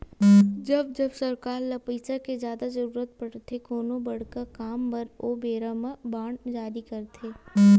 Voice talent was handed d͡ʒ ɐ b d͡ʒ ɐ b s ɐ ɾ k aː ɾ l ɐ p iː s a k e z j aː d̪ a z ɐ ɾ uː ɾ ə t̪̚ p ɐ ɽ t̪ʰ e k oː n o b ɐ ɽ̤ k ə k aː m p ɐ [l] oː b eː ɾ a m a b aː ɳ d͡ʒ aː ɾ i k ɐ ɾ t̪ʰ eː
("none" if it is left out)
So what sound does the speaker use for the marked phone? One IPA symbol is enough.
ɾ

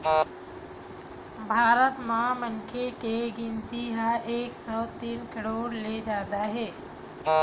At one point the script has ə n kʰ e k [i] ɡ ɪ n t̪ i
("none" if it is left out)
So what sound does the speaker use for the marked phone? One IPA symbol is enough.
e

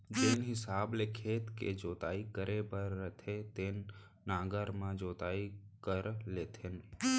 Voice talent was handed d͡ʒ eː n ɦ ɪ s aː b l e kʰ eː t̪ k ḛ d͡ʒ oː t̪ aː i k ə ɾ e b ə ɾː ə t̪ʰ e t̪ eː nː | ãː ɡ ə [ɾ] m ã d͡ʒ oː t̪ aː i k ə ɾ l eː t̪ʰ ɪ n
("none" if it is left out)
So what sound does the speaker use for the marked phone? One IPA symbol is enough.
ɾ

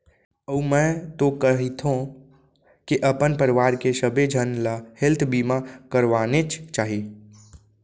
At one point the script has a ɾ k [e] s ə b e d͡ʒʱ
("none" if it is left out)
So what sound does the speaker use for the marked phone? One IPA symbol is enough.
e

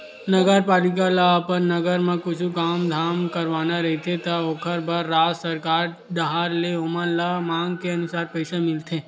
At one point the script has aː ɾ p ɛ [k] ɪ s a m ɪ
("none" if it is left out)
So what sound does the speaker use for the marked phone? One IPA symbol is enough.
none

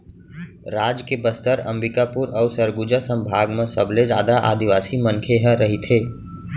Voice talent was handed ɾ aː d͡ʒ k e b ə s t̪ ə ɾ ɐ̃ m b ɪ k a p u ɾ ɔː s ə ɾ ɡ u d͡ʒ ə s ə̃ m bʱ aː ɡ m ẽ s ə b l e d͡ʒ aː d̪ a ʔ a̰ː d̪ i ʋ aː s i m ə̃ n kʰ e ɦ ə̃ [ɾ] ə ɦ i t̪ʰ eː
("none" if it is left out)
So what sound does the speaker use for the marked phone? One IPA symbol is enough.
ɾ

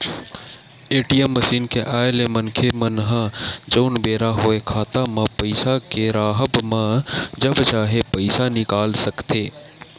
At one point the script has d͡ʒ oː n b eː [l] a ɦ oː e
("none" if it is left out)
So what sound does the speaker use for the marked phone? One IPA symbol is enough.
ɾ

